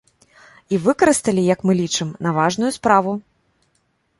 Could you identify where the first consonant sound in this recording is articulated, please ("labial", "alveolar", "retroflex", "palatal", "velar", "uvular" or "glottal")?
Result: labial